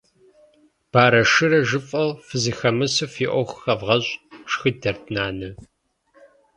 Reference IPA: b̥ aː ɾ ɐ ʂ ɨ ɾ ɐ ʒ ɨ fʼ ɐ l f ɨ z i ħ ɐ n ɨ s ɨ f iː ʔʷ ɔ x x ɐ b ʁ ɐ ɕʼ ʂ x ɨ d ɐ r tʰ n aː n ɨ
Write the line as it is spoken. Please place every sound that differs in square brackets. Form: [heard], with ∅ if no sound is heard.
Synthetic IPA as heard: b̥ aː ɾ ɐ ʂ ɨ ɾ ɐ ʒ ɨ fʼ ɐ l f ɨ z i [x] ɐ [m] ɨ s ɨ f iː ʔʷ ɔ x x ɐ [v] ʁ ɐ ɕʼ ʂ x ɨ d ɐ r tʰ n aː n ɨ